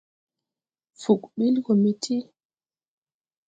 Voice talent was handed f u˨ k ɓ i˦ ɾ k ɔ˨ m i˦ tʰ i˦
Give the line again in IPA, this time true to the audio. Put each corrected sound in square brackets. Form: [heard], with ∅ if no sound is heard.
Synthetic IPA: f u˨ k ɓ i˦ [l] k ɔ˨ m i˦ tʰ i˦